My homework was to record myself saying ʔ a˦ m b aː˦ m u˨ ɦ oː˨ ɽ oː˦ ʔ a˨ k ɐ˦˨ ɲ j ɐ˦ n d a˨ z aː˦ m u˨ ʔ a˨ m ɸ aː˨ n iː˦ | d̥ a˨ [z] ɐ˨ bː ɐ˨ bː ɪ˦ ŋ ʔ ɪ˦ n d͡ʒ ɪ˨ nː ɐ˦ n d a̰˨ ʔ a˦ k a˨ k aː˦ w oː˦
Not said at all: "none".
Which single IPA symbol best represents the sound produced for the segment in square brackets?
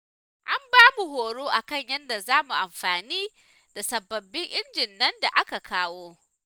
s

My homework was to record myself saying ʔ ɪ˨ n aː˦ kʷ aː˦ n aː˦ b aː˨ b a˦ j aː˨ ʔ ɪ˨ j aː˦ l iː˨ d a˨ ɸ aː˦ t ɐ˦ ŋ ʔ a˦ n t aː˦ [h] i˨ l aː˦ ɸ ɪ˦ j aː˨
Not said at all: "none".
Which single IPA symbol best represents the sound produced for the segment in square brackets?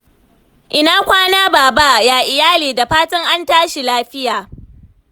ʃ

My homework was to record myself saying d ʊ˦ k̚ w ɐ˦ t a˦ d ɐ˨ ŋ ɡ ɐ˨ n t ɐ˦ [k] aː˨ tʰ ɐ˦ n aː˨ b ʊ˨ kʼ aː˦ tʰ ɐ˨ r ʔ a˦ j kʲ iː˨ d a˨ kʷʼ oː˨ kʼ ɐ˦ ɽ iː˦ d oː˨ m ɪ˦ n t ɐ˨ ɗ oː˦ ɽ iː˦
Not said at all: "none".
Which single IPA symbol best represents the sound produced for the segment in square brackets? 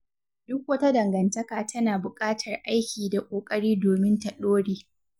k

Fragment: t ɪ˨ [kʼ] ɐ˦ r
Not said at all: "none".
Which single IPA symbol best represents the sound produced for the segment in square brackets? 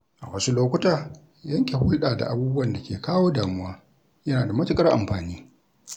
kʼ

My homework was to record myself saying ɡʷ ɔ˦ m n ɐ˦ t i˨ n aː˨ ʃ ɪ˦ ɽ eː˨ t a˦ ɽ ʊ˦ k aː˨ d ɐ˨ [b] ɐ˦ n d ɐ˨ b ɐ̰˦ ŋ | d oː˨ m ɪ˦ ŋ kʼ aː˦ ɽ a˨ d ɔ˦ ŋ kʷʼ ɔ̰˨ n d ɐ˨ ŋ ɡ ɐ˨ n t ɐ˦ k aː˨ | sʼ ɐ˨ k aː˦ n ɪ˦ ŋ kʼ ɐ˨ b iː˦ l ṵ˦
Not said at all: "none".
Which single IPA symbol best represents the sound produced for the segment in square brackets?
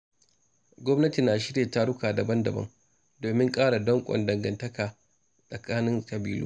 b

